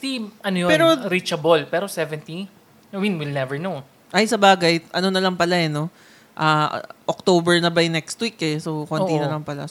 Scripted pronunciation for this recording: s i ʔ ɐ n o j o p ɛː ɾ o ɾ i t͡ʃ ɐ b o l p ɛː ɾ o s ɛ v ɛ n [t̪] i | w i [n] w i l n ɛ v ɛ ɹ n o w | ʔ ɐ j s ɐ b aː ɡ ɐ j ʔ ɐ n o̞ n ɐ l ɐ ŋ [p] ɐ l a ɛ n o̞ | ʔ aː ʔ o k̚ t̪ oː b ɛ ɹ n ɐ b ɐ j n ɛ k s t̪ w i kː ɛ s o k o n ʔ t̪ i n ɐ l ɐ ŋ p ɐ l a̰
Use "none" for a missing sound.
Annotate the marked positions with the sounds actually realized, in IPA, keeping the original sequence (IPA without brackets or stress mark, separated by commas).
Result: t̪, n, p